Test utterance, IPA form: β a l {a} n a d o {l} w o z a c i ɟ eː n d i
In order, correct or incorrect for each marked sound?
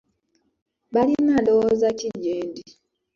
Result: incorrect: i, incorrect: none

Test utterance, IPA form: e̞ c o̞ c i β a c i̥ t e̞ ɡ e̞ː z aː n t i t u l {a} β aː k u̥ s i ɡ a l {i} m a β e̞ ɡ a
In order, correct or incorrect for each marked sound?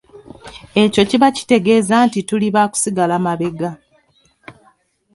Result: incorrect: i, incorrect: a

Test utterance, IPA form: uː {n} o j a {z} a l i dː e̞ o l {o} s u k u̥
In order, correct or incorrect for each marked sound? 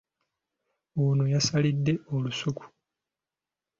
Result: correct, incorrect: s, incorrect: u

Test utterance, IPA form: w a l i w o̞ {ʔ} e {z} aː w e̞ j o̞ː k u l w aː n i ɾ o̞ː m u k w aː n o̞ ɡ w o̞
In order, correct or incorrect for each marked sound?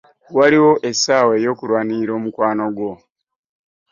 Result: correct, incorrect: s

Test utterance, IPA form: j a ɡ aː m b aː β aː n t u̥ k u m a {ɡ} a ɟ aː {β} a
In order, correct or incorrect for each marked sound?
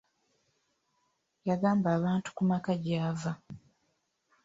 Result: incorrect: k, incorrect: v

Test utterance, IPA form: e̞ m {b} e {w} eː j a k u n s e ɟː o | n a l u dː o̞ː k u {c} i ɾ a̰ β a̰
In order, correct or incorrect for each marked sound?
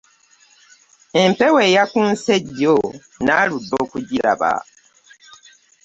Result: incorrect: p, correct, incorrect: ɟ

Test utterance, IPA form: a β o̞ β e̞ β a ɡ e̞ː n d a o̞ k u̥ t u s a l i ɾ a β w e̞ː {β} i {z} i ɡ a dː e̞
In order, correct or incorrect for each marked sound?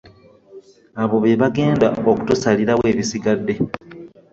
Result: correct, incorrect: s

